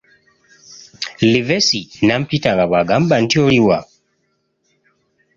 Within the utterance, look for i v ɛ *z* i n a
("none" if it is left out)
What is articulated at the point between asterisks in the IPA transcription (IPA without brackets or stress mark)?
s